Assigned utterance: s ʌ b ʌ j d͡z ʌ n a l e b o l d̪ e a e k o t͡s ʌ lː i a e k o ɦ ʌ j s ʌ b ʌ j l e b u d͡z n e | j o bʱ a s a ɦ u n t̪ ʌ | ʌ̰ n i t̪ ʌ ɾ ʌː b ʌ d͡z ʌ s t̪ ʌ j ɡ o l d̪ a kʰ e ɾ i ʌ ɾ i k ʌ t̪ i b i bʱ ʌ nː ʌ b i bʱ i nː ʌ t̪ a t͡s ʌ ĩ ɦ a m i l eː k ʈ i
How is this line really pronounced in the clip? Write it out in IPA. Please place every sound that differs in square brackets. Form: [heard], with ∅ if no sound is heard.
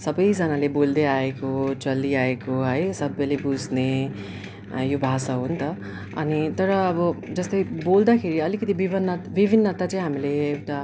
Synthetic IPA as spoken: s ʌ b ʌ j d͡z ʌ n a l e b o l d̪ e a e k o t͡s ʌ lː i a e k o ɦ ʌ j s ʌ b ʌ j l e b u d͡z n e | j o bʱ a s a ɦ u n t̪ ʌ | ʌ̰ n i t̪ ʌ ɾ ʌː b ʌ d͡z ʌ s t̪ ʌ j [b] o l d̪ a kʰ e ɾ i ʌ [l] i k ʌ t̪ i b i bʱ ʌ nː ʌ b i bʱ i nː ʌ t̪ a t͡s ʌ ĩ ɦ a m i l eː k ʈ [a]